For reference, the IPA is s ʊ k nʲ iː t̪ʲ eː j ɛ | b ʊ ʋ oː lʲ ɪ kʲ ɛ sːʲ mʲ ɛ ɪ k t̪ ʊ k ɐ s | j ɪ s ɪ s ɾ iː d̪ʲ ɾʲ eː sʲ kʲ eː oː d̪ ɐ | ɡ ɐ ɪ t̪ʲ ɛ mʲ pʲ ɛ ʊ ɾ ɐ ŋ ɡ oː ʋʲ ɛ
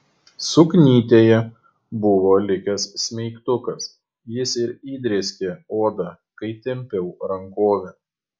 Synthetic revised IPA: s ʊ k nʲ iː t̪ʲ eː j ɛ | b ʊ ʋ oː lʲ ɪ kʲ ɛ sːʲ mʲ ɛ ɪ k t̪ ʊ k ɐ s | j ɪ s ɪ ɾ iː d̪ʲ ɾʲ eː sʲ kʲ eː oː d̪ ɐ | k ɐ ɪ t̪ʲ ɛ mʲ pʲ ɛ ʊ ɾ ɐ ŋ k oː ʋʲ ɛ